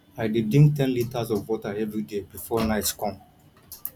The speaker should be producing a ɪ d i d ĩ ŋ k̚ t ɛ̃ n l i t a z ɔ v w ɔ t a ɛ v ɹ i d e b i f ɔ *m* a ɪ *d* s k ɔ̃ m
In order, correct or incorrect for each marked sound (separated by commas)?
incorrect, incorrect